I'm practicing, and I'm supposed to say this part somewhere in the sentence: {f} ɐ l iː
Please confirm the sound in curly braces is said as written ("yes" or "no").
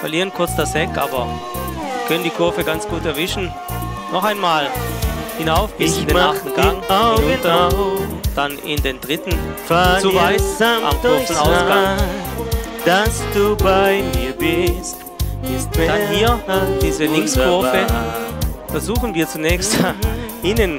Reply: yes